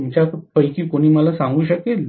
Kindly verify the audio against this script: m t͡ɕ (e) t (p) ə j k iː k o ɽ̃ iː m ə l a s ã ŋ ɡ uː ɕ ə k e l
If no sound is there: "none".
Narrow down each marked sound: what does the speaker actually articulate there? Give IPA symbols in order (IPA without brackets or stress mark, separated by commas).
a, p